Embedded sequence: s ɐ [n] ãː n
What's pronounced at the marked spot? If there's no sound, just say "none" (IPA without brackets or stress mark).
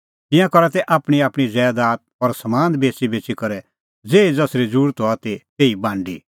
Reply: m